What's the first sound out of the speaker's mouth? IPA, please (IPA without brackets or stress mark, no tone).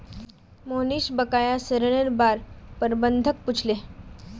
m